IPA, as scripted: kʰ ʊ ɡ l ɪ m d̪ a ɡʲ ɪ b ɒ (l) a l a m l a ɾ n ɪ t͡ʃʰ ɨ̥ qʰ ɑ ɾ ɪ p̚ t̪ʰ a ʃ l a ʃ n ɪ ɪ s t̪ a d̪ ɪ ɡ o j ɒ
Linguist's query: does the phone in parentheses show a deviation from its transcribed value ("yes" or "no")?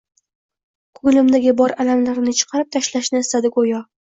yes